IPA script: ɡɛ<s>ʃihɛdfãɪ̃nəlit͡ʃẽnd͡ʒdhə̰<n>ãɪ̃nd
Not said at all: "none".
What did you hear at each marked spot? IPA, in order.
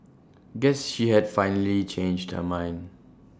s, m

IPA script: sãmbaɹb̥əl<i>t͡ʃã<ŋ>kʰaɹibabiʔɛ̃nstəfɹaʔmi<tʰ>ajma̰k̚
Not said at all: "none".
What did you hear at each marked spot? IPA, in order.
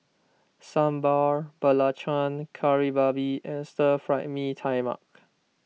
a, n, tʰ

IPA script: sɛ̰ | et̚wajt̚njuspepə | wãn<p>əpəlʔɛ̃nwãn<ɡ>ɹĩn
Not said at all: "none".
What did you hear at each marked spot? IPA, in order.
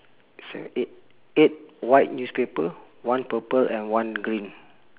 p, ɡ

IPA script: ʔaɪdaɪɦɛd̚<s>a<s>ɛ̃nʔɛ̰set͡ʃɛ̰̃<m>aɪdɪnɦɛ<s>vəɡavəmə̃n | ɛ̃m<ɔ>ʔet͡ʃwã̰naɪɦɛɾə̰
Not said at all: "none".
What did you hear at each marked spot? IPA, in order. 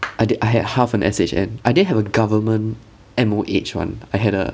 h, f, n, none, o

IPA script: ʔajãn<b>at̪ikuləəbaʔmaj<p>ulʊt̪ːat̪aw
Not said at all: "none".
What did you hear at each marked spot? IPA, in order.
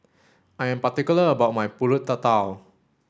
p, p

